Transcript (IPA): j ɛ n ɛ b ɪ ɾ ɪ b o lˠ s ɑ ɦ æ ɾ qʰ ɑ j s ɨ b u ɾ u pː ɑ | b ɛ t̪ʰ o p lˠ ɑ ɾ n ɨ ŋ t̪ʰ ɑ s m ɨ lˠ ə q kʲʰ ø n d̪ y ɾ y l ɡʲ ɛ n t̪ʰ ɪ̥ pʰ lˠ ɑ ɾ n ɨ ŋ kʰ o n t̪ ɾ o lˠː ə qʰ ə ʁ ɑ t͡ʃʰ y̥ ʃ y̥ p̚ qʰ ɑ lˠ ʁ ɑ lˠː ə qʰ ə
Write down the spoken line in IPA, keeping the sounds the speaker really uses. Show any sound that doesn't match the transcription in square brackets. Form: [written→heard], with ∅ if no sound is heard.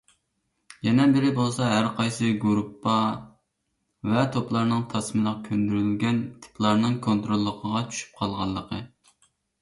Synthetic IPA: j ɛ n ɛ b ɪ ɾ ɪ b o lˠ s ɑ ɦ æ ɾ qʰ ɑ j s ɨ [b→ɡ] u ɾ u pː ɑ | [b→v] ɛ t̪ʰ o p lˠ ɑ ɾ n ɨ ŋ t̪ʰ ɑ s m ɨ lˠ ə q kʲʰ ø n d̪ y ɾ y l ɡʲ ɛ n t̪ʰ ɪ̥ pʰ lˠ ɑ ɾ n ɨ ŋ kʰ o n t̪ ɾ o lˠː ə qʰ ə ʁ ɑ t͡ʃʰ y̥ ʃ y̥ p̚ qʰ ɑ lˠ ʁ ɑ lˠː ə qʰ ə